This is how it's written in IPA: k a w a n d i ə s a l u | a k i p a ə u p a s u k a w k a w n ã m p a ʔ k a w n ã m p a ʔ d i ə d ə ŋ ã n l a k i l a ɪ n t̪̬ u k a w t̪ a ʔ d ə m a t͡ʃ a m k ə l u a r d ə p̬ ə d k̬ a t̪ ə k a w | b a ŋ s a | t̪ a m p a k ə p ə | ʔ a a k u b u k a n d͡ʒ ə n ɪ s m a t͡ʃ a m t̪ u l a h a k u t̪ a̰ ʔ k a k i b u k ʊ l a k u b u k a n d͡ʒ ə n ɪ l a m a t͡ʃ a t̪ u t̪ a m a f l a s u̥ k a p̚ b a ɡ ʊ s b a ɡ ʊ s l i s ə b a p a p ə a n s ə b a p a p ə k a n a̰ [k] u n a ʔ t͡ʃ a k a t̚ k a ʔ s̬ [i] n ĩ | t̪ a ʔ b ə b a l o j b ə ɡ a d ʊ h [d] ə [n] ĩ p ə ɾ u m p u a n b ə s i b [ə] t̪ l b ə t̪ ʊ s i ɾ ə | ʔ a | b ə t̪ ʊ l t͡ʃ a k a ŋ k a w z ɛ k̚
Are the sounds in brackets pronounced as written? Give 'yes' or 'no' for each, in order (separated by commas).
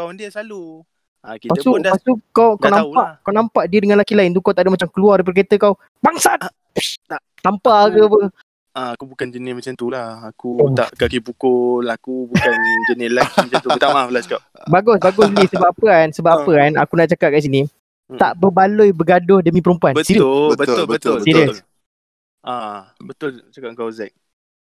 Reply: yes, yes, yes, no, yes